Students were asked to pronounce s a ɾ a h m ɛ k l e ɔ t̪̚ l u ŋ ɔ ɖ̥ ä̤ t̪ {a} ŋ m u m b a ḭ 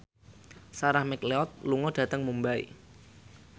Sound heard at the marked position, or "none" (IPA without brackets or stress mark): ə